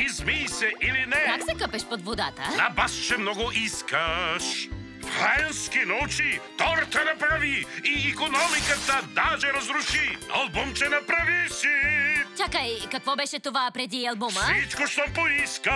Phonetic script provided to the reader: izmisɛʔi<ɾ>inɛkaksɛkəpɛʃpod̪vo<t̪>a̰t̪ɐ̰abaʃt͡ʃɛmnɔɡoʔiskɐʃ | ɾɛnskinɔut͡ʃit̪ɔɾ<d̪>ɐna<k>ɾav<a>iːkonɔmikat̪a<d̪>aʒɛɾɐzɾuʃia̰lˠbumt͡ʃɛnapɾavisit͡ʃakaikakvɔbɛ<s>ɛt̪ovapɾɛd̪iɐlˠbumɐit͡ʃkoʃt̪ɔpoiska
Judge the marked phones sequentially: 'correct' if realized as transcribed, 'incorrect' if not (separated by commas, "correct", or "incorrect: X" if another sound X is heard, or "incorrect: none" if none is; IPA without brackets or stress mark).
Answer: incorrect: l, incorrect: d̪, incorrect: t̪, incorrect: p, incorrect: i, correct, incorrect: ʃ